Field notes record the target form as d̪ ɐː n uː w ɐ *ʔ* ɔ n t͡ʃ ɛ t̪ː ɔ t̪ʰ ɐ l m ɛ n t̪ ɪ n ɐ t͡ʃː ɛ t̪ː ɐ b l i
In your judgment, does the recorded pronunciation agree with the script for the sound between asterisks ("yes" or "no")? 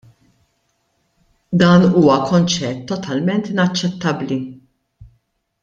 no